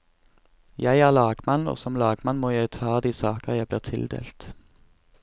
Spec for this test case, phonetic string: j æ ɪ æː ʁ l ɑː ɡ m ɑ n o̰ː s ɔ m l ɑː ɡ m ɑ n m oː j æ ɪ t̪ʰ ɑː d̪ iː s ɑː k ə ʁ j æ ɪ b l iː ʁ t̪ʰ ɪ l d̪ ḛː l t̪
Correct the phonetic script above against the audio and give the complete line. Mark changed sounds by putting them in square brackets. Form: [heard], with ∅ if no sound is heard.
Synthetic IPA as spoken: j æ ɪ æː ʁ l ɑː ɡ m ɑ n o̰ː s ɔ m l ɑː ɡ m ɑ n m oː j æ ɪ t̪ʰ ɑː d̪ iː s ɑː k ə ʁ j æ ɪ b l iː ʁ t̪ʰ ɪ l d̪ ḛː l t̪